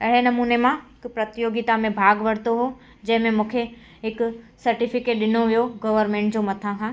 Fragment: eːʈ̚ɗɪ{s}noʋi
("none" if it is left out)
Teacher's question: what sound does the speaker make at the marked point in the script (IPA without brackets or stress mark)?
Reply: none